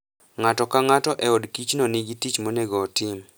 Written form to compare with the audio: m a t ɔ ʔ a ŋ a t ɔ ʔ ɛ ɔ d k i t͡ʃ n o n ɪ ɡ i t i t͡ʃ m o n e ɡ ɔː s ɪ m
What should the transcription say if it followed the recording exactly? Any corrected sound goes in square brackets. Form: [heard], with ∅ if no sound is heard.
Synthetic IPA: [ŋ] a t ɔ [k] a ŋ a t ɔ ʔ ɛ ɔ d k i t͡ʃ n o n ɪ ɡ i t i t͡ʃ m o n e ɡ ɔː [t] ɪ m